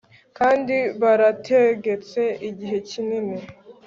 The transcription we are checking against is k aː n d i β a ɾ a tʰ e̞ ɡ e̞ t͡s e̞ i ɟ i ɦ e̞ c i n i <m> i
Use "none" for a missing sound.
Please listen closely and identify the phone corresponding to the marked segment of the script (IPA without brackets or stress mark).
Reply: n